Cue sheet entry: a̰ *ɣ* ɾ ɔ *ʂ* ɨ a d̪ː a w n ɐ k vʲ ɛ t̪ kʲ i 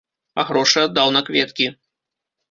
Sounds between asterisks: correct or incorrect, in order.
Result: correct, correct

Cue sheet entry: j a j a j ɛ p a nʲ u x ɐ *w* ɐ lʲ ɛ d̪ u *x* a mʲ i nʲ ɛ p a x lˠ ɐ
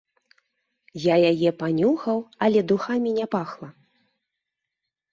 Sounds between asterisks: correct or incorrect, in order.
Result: correct, correct

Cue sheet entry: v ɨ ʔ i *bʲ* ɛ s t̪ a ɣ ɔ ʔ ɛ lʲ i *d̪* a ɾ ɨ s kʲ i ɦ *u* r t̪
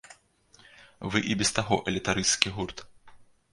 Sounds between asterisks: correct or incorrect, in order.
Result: correct, incorrect: t̪, correct

